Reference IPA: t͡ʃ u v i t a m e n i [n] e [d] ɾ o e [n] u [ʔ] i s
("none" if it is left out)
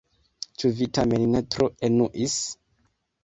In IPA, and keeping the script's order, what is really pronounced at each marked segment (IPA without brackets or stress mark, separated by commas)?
n, t, n, ʔ